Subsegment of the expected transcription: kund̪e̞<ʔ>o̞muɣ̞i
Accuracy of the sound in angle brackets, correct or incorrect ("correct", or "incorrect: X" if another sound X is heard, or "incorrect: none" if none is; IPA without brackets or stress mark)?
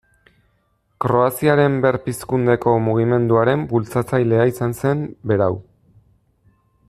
incorrect: k